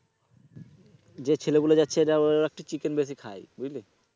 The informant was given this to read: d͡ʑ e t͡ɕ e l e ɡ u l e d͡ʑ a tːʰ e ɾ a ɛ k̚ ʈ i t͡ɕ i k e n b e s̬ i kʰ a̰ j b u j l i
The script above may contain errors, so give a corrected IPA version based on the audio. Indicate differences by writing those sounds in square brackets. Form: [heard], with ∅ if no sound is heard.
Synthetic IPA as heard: d͡ʑ e [t͡ɕʰ] e l e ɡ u l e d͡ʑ a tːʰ e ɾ a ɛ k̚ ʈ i t͡ɕ i k e n b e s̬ i kʰ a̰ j b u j l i